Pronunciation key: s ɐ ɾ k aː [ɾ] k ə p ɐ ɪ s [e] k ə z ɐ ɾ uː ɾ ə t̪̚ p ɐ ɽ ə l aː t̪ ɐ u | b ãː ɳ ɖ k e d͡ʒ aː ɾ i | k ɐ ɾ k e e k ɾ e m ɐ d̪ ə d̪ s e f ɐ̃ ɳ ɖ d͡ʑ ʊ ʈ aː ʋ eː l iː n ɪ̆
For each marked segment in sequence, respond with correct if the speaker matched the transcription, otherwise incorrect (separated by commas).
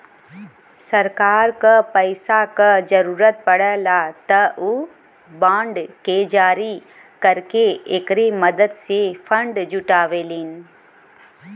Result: correct, incorrect